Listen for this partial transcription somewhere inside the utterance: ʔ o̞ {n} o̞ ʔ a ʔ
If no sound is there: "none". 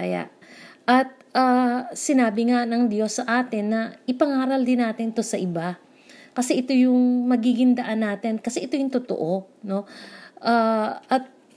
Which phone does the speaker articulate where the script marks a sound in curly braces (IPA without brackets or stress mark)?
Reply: n